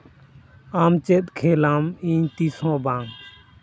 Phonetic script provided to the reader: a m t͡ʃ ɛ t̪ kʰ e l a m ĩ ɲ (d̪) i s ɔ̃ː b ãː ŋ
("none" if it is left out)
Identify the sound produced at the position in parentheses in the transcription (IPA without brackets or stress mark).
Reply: t̪